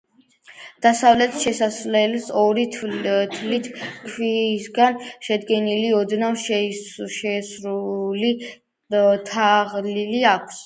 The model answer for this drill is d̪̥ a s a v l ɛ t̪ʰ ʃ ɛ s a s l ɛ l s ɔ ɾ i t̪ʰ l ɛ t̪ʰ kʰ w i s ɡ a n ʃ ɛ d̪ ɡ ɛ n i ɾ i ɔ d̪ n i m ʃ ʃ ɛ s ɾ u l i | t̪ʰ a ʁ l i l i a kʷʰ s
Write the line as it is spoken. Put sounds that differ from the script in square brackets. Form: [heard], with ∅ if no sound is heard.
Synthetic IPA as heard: d̪̥ a s a v l ɛ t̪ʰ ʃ ɛ s a s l ɛ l s ɔ ɾ i t̪ʰ l [i] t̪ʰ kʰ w i s ɡ a n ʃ ɛ d̪ ɡ ɛ n i [l] i ɔ d̪ n [a] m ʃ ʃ ɛ s ɾ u l i | t̪ʰ a ʁ l i l i a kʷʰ s